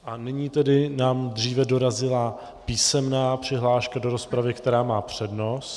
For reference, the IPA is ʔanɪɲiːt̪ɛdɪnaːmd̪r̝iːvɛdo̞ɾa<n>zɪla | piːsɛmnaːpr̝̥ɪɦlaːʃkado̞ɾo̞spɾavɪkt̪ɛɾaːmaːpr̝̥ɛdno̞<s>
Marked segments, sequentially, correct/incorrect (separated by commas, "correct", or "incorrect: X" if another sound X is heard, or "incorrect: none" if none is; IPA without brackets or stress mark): incorrect: none, correct